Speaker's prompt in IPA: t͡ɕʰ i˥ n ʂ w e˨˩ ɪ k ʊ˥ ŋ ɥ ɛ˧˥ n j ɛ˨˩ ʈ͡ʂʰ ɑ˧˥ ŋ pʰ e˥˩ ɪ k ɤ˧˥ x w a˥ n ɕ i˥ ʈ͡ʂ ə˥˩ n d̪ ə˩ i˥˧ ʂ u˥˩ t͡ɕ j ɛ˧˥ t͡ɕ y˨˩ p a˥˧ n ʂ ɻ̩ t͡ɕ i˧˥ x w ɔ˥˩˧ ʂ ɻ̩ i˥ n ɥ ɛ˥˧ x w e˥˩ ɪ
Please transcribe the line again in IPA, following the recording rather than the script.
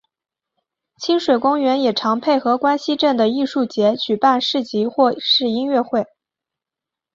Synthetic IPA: t͡ɕʰ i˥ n ʂ w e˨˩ ɪ k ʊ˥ ŋ ɥ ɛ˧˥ n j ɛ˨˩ ʈ͡ʂʰ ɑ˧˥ ŋ pʰ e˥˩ ɪ x ɤ˧˥ k w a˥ n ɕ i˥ ʈ͡ʂ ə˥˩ n d̪ ə˩ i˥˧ ʂ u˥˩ t͡ɕ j ɛ˧˥ t͡ɕ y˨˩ p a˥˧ n ʂ ɻ̩ t͡ɕ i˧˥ x w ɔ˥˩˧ ʂ ɻ̩ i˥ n ɥ ɛ˥˧ x w e˥˩ ɪ